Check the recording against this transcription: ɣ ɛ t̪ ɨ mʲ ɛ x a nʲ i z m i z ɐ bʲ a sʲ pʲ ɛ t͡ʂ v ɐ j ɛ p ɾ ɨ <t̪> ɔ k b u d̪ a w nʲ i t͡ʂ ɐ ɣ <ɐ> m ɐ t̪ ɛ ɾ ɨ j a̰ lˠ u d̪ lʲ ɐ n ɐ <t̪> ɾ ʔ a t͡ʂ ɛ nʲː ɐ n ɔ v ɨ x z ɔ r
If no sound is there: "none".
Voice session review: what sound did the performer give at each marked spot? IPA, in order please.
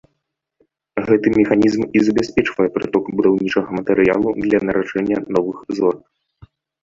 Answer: t̪, ɐ, none

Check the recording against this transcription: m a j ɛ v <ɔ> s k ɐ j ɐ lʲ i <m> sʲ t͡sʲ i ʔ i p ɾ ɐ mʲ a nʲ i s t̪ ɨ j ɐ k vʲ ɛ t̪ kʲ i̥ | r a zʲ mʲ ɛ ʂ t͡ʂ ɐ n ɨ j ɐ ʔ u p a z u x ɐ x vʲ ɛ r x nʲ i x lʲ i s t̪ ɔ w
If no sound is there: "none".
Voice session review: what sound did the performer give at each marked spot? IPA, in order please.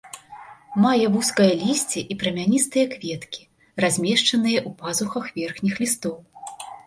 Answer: u, none

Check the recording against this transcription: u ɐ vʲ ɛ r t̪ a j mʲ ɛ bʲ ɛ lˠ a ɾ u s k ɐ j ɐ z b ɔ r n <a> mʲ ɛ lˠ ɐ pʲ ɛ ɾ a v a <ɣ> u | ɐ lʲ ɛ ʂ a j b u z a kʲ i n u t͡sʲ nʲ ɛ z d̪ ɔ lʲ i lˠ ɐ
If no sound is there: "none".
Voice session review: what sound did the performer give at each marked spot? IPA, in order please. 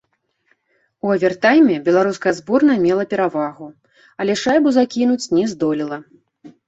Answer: ɐ, ɣ

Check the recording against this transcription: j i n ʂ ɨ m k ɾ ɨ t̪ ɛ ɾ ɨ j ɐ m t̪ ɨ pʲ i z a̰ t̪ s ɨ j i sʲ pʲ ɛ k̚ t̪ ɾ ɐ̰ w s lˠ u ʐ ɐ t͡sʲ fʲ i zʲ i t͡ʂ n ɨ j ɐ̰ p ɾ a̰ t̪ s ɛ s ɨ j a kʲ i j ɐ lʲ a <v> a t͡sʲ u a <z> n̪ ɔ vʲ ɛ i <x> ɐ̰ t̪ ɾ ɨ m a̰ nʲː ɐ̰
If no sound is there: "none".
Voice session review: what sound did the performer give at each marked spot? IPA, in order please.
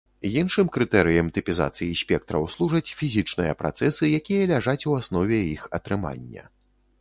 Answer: ʐ, s, x

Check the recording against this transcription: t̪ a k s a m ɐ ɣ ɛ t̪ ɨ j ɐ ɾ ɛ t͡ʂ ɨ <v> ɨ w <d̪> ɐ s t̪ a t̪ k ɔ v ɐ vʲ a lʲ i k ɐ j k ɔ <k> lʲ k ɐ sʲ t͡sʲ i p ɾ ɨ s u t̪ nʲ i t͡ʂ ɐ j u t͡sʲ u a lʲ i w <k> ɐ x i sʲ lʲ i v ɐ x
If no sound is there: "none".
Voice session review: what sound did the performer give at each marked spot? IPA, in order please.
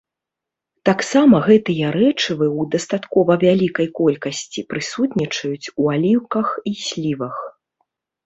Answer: v, d̪, none, k

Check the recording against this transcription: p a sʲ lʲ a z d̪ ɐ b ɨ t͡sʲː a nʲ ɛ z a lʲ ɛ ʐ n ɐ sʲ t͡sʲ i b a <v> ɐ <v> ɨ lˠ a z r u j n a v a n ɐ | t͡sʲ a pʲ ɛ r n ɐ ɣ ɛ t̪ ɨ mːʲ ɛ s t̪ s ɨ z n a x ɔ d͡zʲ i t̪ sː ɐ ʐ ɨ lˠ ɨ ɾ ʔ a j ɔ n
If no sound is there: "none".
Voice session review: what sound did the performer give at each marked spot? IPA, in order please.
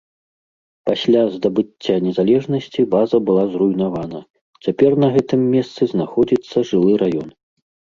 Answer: z, b

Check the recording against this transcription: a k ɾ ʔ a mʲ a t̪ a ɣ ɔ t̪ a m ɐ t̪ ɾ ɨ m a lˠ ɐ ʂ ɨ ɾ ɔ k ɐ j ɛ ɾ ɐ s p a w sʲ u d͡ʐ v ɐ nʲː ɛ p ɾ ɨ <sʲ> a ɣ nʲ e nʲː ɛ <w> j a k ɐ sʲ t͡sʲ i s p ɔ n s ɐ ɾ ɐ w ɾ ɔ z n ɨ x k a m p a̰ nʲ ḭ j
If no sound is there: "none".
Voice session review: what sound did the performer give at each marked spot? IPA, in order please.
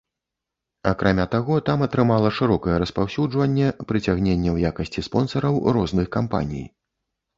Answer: t͡sʲ, w

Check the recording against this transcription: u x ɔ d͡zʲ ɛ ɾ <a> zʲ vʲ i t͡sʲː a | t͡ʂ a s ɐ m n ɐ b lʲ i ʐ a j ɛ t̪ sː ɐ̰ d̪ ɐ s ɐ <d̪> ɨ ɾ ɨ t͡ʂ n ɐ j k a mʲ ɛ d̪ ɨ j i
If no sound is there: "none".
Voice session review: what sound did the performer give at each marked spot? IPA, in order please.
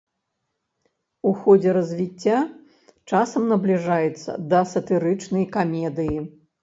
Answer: ɐ, t̪

